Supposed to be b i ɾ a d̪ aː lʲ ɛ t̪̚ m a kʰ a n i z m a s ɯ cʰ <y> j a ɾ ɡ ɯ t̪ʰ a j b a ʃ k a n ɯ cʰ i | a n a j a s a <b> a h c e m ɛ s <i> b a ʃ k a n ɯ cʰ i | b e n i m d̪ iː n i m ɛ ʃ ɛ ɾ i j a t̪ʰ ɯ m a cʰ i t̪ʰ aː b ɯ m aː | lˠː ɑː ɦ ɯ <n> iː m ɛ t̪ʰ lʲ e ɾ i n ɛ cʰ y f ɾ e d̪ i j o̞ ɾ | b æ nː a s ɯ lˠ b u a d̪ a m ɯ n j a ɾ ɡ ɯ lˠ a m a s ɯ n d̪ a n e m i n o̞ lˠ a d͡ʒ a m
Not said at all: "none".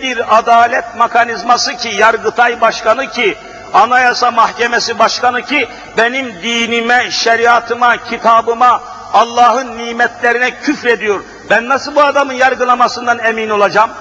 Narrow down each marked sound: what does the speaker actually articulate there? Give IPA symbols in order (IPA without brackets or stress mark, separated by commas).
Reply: i, m, i, nː